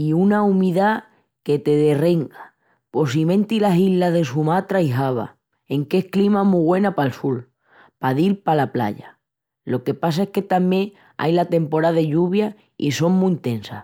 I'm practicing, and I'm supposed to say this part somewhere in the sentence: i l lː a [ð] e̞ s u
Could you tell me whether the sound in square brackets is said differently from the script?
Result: no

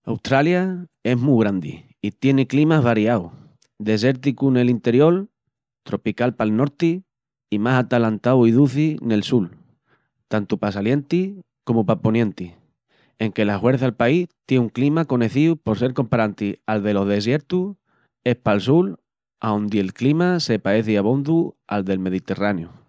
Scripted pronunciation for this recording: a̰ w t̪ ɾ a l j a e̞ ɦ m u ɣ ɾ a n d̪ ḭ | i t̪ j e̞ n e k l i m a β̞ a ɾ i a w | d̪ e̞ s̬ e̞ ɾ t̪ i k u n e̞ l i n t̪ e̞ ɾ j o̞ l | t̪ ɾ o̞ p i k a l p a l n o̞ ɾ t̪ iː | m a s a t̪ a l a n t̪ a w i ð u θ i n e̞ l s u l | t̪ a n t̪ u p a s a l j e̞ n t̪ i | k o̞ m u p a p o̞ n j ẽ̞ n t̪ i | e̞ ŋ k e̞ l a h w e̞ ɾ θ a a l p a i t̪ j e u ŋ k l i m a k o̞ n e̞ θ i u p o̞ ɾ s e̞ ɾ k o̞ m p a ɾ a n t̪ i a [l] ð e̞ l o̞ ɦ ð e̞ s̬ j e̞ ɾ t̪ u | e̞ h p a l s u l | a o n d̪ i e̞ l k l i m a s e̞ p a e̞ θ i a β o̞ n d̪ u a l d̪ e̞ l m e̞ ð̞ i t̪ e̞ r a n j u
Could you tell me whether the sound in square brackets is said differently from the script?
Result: no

